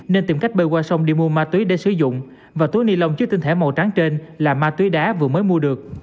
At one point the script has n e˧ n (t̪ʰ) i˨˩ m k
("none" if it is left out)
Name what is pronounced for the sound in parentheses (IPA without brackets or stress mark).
t̪